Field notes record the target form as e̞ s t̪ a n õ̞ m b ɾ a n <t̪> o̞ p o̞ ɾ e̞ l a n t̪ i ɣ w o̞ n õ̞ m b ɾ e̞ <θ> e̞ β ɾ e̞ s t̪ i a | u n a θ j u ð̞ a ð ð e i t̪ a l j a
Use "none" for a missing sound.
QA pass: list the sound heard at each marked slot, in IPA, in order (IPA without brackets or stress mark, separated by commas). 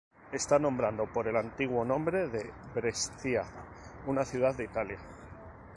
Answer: d̪, ð